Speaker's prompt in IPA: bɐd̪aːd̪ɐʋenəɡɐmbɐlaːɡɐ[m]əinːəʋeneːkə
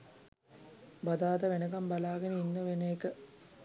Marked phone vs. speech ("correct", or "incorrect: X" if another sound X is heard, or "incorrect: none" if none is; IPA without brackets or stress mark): incorrect: n